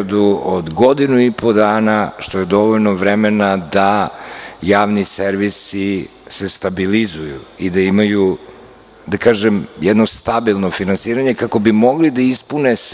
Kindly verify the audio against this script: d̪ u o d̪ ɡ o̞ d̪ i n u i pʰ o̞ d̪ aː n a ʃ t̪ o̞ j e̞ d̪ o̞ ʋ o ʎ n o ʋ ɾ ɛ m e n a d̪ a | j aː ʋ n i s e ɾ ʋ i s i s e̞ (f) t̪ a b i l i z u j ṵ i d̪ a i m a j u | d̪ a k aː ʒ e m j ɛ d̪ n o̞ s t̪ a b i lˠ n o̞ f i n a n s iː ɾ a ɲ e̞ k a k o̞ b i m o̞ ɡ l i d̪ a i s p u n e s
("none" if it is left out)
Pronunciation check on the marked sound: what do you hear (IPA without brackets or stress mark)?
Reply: s